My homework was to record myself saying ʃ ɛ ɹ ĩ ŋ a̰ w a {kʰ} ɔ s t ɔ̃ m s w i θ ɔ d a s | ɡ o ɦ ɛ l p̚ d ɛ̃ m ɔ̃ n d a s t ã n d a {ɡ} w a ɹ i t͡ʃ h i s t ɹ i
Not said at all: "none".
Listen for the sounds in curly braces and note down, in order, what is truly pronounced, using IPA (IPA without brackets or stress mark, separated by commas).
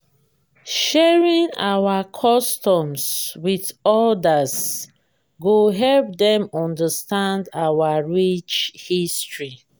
kʰ, none